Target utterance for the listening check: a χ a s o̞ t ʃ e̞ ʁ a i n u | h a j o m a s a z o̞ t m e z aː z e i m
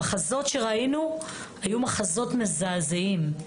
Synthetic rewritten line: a χ a z o̞ t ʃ e̞ ʁ a i n u | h a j u m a χ a z o̞ t m e z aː z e i m